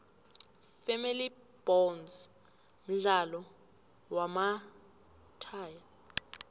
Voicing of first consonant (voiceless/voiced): voiceless